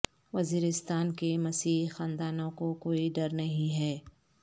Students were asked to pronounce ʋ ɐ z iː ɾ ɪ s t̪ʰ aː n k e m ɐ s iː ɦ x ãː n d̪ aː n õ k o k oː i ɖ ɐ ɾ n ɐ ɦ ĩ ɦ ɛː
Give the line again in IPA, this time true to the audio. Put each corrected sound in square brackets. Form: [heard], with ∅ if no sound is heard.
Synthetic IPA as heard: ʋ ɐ z iː ɾ ɪ s [t̪] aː n k e m ɐ s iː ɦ x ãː n d̪ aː n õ k o k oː i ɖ ɐ ɾ n ɐ ɦ ĩ ɦ ɛː